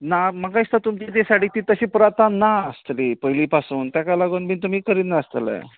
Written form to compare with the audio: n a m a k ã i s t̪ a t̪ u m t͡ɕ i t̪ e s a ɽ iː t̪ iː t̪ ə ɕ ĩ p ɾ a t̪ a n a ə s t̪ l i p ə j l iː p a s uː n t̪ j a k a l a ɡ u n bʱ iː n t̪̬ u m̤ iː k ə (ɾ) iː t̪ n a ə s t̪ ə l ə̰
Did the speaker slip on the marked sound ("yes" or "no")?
no